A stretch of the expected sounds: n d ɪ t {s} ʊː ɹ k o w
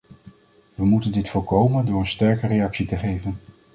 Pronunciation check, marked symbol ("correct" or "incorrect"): incorrect